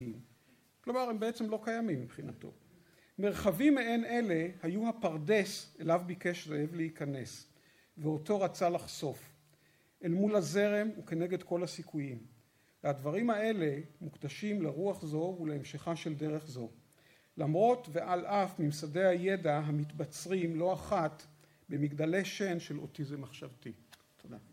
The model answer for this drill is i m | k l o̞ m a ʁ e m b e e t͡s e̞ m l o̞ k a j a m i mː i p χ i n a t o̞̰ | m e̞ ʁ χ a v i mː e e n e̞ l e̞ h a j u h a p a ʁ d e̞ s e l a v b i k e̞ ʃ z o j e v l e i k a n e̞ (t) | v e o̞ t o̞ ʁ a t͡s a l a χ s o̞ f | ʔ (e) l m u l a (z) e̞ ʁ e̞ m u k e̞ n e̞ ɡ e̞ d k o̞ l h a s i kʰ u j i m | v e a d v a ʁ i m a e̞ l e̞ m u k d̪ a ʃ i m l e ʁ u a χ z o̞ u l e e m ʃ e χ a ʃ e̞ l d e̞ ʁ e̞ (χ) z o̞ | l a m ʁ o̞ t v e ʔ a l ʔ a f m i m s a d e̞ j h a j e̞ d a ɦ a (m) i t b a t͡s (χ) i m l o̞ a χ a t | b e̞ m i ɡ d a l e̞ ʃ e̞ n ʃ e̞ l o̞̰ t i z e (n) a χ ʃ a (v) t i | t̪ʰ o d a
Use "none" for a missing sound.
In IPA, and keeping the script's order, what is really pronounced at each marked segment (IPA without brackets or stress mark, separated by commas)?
s, e, z, χ, m, ʁ, m, v